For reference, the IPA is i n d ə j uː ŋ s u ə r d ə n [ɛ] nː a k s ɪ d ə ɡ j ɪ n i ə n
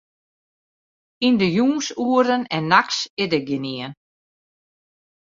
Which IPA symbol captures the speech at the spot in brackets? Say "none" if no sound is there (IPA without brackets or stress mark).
ɛ